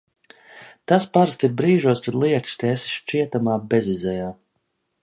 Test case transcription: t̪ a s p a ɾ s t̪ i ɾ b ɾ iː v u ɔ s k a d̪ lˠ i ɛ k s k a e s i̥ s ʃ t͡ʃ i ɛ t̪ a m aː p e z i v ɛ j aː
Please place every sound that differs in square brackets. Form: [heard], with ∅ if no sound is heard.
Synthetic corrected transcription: t̪ a s p a ɾ s t̪ i ɾ b ɾ iː [ʒ] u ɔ s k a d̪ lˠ i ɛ k s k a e s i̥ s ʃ t͡ʃ i ɛ t̪ a m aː [b] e z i [z] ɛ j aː